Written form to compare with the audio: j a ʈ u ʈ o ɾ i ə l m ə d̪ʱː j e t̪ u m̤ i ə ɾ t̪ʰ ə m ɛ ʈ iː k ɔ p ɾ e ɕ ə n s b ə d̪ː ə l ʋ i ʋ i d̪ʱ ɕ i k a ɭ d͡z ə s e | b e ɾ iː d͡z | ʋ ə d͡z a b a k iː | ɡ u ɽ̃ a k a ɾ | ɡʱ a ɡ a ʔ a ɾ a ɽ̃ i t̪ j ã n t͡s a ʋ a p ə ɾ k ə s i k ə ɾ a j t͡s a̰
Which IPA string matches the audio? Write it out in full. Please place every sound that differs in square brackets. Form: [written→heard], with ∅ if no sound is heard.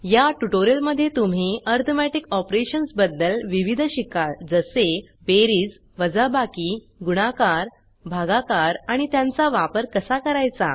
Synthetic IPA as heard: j a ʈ u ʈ o ɾ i ə l m ə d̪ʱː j e t̪ u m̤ i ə ɾ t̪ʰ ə m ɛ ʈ [iː→i] k ɔ p ɾ e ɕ ə n s b ə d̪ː ə l ʋ i ʋ i d̪ʱ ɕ i k a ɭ d͡z ə s e | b e ɾ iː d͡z | ʋ ə d͡z a b a k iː | ɡ u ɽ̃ a k a ɾ | [ɡʱ→bʱ] a ɡ a [ʔ→k] a ɾ a ɽ̃ i t̪ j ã n t͡s a ʋ a p ə ɾ k ə s [i→a] k ə ɾ a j t͡s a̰